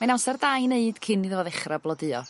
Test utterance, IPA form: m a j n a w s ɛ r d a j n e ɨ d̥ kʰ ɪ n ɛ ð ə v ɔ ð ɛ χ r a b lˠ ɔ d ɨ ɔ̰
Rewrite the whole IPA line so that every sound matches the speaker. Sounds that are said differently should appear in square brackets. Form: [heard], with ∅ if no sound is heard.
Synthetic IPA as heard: m a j n a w s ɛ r d a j n e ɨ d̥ kʰ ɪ n [i] ð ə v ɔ ð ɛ χ r a b lˠ ɔ d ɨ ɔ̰